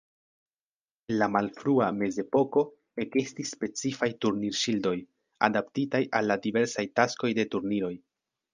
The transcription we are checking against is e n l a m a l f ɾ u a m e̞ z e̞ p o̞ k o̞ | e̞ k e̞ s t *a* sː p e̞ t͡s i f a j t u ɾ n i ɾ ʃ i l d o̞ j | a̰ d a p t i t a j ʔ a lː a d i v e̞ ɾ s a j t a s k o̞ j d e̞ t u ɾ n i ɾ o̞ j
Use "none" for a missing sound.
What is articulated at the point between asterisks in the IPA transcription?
i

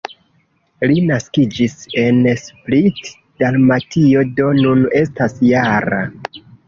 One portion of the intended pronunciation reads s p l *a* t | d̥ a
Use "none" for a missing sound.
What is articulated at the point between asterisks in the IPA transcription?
i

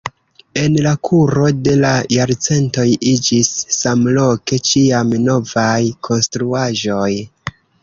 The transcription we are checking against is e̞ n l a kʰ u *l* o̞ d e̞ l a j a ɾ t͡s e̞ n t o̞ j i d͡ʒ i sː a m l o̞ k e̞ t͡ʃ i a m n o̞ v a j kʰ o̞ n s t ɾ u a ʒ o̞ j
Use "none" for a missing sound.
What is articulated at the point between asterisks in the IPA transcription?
ɾ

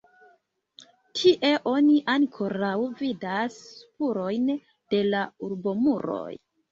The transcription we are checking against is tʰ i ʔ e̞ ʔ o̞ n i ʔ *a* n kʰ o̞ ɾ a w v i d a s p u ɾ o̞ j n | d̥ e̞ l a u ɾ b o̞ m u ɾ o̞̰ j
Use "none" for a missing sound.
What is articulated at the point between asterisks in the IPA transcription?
a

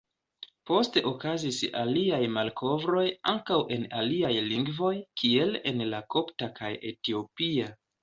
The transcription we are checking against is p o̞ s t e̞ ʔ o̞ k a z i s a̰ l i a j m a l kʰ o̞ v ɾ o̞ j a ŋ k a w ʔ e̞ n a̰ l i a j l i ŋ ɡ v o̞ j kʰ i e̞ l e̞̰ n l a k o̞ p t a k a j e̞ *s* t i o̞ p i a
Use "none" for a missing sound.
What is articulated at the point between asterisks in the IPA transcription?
none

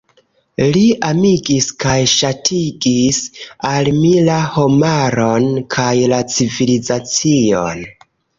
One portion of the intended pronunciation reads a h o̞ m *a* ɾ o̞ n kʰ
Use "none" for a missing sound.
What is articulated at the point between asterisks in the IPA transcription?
a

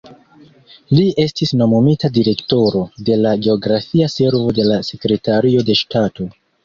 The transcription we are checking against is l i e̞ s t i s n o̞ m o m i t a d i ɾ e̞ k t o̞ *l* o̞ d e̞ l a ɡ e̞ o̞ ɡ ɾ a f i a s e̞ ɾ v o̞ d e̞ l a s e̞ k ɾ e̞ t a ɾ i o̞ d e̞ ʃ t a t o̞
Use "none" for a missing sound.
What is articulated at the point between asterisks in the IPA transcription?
ɾ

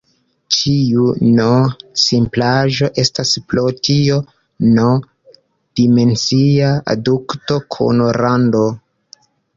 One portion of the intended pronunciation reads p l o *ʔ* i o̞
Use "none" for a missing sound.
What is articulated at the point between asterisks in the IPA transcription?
t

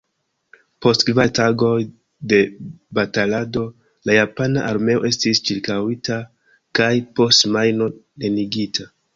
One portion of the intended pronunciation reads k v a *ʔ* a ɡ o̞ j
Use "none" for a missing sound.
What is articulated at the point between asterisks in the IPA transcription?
t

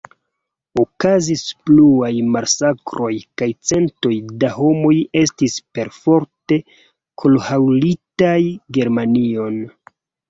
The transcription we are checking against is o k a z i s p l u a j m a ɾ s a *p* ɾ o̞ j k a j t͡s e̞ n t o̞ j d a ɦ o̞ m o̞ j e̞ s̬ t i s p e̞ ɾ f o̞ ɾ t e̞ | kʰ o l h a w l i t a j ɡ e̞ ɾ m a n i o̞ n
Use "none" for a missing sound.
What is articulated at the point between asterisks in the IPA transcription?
k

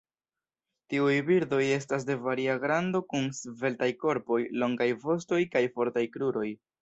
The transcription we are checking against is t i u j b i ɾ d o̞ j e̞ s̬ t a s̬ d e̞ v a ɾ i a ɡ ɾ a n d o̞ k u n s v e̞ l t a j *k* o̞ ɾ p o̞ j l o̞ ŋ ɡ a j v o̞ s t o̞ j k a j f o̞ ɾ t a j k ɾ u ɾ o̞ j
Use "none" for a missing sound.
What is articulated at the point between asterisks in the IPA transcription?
k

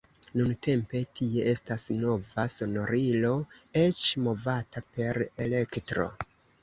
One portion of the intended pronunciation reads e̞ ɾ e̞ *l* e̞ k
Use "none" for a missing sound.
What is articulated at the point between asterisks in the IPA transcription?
l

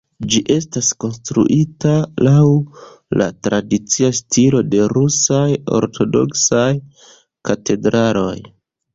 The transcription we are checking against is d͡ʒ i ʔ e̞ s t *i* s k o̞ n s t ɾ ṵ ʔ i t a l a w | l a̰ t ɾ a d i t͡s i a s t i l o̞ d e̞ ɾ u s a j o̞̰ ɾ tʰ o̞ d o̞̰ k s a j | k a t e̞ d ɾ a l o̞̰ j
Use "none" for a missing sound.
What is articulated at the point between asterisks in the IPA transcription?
a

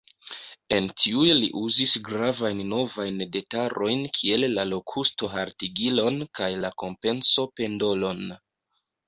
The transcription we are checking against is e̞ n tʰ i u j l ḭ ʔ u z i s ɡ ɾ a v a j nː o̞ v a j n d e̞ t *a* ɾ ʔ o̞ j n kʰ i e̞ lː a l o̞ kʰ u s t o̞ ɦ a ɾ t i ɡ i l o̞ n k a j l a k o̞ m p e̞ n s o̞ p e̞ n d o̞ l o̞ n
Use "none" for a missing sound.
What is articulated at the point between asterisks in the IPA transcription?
a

